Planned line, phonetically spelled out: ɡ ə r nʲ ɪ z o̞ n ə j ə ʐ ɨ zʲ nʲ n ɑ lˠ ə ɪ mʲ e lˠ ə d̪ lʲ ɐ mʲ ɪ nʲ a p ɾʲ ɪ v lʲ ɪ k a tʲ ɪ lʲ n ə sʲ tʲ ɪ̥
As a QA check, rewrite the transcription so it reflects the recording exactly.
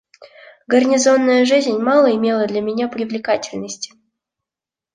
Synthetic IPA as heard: ɡ ə r nʲ ɪ z o̞ nː ə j ə ʐ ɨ zʲ nʲ m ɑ lˠ ə ɪ mʲ e lˠ ə d̪ lʲ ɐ mʲ ɪ nʲ a p ɾʲ ɪ v lʲ ɪ k a tʲ ɪ lʲ n ə sʲ tʲ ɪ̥

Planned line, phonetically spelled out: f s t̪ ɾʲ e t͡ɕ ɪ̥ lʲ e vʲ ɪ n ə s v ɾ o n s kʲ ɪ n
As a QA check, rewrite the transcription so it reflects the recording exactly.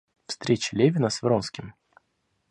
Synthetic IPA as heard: f s t̪ ɾʲ e t͡ɕ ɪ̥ lʲ e vʲ ɪ n ə s v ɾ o n s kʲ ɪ m

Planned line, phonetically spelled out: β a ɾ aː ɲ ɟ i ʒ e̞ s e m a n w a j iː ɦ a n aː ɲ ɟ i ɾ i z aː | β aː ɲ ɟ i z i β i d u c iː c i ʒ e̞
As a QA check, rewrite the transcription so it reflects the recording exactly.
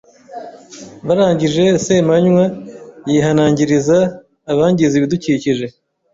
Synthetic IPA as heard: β a ɾ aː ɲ ɟ i ʒ e̞ s e m a ɲ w a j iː ɦ a n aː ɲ ɟ i ɾ i z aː | β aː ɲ ɟ i z i β i d u c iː c i ʒ e̞

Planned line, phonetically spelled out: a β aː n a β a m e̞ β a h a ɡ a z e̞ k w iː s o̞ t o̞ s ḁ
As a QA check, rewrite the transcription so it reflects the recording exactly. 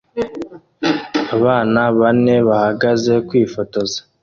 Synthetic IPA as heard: a β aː n a β a n e̞ β a h a ɡ a z e̞ k w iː f o̞ t o̞ z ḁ

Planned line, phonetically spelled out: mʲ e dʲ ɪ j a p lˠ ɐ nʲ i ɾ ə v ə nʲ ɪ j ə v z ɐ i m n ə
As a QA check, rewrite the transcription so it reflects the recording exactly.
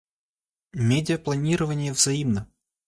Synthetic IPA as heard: mʲ e dʲ ɪ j ə p lˠ ɐ nʲ i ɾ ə v ə nʲ ɪ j ə v z ɐ i m n ə

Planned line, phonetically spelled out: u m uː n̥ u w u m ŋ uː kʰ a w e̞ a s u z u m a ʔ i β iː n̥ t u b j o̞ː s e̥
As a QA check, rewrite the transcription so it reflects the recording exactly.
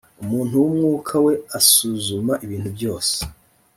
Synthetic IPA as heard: u m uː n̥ u w u m ŋ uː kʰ a w e̞ a s u z u m a ʔ i β iː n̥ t u b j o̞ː s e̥

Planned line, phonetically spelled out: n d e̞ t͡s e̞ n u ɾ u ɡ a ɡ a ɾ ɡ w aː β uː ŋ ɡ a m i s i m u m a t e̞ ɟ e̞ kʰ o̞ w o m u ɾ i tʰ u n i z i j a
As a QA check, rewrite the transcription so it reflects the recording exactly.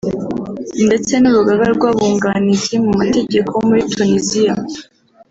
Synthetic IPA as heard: n d e̞ t͡s e̞ n u ɾ u ɡ a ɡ a ɾ ɡ w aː β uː ŋ ɡ a n i z i m u m a t e̞ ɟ e̞ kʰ o̞ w o m u ɾ i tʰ u n i z i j a

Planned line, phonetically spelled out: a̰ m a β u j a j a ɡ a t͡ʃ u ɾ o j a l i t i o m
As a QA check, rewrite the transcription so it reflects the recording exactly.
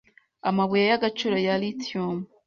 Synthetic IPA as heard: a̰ m a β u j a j a ɡ a t͡ʃ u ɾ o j a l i t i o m

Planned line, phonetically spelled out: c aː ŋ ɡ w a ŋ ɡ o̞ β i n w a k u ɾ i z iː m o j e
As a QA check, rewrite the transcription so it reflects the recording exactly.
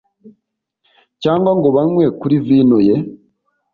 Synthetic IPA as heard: c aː ŋ ɡ w a ŋ ɡ o̞ β a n w e k u ɾ i v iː n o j e

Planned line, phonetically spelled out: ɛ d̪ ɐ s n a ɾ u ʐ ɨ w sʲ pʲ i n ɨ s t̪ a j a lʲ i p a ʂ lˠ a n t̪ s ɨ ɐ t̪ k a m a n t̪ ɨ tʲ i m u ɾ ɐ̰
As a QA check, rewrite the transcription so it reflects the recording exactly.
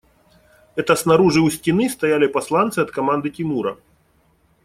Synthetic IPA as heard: ɛ t̪ ɐ s n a ɾ u ʐ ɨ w sʲ tʲ i n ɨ s t̪ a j a lʲ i p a s lˠ a n t̪ s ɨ ɐ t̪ k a m a n d̪ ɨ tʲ i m u ɾ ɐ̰

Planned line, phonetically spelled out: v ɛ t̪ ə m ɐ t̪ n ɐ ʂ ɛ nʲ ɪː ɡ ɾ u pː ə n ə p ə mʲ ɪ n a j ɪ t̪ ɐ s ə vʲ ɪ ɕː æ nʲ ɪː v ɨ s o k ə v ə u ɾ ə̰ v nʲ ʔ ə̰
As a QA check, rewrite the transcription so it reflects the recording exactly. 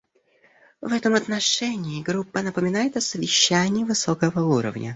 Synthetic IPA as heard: v ɛ t̪ ə m ɐ t̪ n ɐ ʂ ɛ nʲ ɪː ɡ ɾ u pː ə n ə p ə mʲ ɪ n a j ɪ t̪ ɐ s ə vʲ ɪ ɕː æ nʲ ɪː v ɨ s o k ə v ə u ɾ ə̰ v nʲ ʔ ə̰

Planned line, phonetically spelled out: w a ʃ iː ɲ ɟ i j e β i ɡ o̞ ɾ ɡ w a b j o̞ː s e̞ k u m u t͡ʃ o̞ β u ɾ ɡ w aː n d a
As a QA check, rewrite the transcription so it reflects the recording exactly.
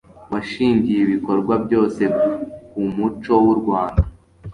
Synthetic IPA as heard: w a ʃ iː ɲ ɟ i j e β i k o̞ ɾ ɡ w a b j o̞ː s e̞ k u m u t͡ʃ o̞ w u ɾ ɡ w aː n d a

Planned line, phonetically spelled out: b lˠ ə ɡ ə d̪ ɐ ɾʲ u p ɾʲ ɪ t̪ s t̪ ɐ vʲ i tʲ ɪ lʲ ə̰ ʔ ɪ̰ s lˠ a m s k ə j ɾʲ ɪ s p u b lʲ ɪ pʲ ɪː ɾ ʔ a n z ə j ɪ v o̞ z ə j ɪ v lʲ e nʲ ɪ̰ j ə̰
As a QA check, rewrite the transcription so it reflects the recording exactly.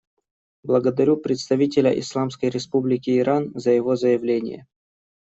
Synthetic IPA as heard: b lˠ ə ɡ ə d̪ ɐ ɾʲ u p ɾʲ ɪ t̪ s t̪ ɐ vʲ i tʲ ɪ lʲ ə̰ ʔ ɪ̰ s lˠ a m s k ə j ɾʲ ɪ s p u b lʲ ɪ kʲ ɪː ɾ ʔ a n z ə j ɪ v o̞ z ə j ɪ v lʲ e nʲ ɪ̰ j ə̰

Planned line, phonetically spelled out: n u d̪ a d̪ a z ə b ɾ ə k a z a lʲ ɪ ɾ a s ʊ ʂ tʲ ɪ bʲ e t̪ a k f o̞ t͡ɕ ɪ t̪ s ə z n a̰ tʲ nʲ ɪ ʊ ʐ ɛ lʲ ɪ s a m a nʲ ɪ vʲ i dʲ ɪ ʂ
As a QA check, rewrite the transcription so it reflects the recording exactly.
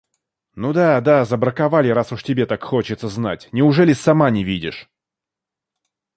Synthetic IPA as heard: n u d̪ a d̪ a z ə b ɾ ə k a v a lʲ ɪ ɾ a s ʊ ʂ tʲ ɪ bʲ e t̪ a k x o̞ t͡ɕ ɪ t̪ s ə z n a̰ tʲ nʲ ɪ ʊ ʐ ɛ lʲ ɪ s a m a nʲ ɪ vʲ i dʲ ɪ ʂ

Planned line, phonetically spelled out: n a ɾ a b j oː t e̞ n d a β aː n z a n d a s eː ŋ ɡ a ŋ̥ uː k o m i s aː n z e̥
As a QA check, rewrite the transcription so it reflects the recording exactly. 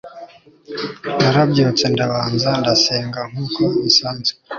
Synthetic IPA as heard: n a ɾ a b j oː t͡s e̞ n d a β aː n z a n d a s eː ŋ ɡ a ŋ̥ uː k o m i s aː n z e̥

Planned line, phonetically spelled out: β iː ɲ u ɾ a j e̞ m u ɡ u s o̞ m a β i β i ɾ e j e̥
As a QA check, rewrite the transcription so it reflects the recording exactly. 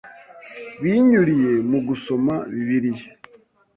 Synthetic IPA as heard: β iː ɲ u ɾ i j e̞ m u ɡ u s o̞ m a β i β i ɾ i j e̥

